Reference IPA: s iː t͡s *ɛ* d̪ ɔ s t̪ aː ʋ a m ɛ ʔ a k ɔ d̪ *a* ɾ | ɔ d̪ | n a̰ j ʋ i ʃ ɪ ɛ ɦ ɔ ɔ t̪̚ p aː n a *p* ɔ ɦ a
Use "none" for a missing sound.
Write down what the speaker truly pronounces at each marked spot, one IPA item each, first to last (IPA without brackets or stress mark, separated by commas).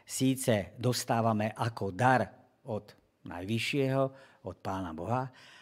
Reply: ɛ, a, b